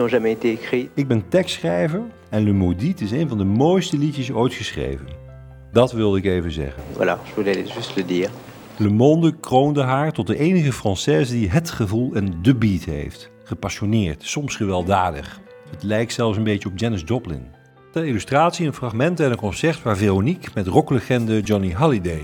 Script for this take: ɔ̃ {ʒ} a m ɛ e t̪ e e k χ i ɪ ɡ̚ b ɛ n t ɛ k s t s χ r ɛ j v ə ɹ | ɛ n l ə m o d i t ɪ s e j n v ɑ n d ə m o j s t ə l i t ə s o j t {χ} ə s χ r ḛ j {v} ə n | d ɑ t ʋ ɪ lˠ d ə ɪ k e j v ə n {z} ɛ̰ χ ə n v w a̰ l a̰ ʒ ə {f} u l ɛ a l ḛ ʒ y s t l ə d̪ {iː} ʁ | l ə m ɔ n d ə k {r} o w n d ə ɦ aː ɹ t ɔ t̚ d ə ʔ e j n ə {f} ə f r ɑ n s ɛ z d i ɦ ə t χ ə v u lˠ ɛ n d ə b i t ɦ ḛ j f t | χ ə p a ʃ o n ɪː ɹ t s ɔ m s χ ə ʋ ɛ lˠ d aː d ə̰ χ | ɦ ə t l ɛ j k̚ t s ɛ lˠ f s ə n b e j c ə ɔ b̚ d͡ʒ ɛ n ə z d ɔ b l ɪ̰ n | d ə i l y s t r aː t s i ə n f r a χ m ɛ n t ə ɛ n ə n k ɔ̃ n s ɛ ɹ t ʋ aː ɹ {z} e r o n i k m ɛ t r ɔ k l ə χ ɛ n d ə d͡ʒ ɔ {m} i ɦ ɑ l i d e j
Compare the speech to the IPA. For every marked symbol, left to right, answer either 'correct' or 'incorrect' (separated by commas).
correct, correct, correct, correct, incorrect, correct, correct, incorrect, incorrect, incorrect